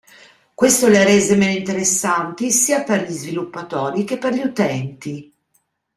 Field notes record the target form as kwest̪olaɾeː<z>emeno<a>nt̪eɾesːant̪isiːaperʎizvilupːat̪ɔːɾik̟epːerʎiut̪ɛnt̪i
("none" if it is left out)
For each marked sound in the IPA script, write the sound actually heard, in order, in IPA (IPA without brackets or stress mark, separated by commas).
z, i